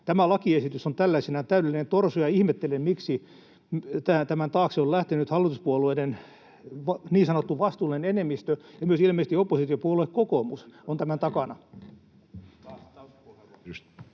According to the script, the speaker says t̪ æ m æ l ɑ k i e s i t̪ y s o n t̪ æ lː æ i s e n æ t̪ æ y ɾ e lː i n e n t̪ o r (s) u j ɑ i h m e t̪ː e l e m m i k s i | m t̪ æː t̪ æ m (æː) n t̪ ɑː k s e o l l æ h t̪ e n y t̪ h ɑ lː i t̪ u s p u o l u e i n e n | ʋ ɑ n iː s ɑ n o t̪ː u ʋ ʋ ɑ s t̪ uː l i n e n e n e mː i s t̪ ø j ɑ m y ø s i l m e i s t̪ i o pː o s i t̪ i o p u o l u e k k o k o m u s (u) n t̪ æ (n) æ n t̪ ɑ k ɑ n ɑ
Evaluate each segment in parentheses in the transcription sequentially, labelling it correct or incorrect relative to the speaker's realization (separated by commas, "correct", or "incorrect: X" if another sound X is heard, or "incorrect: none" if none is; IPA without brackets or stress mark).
correct, incorrect: æ, incorrect: o, incorrect: m